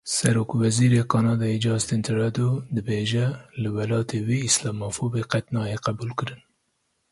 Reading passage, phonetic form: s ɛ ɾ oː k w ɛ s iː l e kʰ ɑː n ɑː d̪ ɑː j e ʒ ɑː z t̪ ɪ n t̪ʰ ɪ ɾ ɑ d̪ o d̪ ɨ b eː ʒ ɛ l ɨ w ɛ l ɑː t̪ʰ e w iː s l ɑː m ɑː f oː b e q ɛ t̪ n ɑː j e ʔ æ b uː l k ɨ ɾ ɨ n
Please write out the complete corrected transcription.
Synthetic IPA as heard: s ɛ ɾ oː k w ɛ z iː ɾ e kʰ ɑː n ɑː d̪ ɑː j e d͡ʒ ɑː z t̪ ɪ n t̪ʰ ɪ ɾ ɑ d̪ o d̪ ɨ b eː ʒ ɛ l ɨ w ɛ l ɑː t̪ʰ e w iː s l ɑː m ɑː f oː b e q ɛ t̪ n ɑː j e q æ b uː l k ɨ ɾ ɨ n